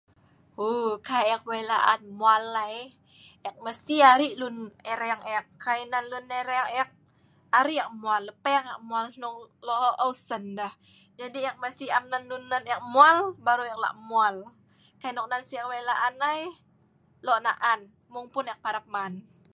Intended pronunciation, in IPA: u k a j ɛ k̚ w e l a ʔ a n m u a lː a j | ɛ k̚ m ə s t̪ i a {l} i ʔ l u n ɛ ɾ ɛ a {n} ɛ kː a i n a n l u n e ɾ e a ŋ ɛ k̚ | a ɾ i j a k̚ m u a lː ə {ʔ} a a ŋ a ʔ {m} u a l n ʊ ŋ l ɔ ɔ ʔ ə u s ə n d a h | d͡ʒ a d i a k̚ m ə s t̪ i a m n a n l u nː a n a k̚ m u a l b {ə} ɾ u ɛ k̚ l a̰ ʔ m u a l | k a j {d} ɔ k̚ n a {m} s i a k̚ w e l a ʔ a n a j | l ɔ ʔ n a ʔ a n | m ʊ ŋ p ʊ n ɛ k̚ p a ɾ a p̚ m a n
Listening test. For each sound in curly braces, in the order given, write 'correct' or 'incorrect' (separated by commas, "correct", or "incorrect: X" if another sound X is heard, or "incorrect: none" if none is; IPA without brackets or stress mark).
incorrect: ɾ, incorrect: ŋ, incorrect: p, correct, incorrect: a, incorrect: n, incorrect: n